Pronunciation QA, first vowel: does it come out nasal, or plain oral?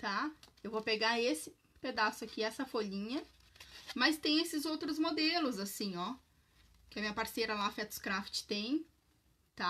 oral